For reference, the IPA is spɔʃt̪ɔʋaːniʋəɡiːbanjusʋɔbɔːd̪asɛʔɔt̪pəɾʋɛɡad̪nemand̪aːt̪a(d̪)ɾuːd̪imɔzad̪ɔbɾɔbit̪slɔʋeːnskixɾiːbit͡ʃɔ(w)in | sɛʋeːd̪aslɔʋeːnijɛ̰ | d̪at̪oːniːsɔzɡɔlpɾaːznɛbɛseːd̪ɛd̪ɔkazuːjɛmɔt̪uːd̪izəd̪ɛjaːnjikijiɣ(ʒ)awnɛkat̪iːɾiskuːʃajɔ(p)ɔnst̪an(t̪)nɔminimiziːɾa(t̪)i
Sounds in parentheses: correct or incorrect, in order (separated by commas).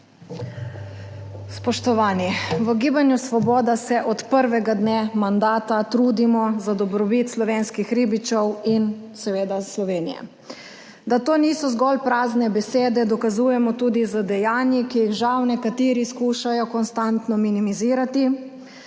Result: incorrect, correct, correct, incorrect, correct, correct